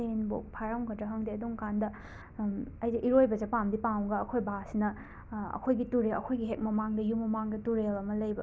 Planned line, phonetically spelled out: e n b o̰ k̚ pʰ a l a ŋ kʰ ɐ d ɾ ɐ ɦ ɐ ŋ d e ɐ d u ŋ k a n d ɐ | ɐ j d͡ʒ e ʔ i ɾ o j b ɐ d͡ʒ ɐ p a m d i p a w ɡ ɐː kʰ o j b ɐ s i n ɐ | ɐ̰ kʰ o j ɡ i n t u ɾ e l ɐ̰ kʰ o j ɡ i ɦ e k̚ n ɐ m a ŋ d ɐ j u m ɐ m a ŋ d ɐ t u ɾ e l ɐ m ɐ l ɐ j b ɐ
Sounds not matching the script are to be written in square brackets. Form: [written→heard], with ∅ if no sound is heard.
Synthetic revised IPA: e n b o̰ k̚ pʰ a [l→ɾ] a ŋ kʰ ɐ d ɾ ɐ ɦ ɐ ŋ d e ɐ d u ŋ k a n d ɐ | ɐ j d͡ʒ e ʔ i ɾ o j b ɐ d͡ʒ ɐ p a m d i p a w ɡ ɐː kʰ o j b [ɐ→a] s i n ɐ | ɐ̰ kʰ o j ɡ i [n→∅] t u ɾ e l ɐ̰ kʰ o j ɡ i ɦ e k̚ [n→m] ɐ m a ŋ d ɐ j u m ɐ m a ŋ d ɐ t u ɾ e l ɐ m ɐ l ɐ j b ɐ